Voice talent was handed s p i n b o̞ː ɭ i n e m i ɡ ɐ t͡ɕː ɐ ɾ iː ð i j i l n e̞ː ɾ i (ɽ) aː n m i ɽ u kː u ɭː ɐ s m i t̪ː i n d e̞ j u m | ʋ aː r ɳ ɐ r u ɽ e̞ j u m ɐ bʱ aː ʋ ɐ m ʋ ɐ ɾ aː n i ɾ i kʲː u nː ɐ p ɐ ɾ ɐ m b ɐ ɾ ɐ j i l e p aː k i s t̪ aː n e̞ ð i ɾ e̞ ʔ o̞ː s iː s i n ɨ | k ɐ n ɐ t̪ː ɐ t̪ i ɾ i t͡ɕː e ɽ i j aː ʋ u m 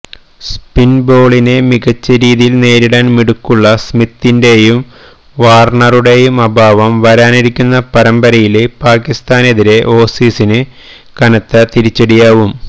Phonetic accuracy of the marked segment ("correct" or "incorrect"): correct